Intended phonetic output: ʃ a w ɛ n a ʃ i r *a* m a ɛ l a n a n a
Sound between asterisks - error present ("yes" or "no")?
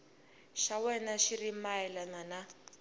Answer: yes